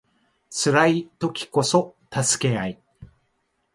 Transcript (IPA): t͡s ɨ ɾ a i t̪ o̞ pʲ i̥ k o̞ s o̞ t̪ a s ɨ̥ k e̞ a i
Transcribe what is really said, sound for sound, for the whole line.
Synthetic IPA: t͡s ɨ ɾ a i t̪ o̞ kʲ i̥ k o̞ s o̞ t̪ a s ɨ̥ k e̞ a i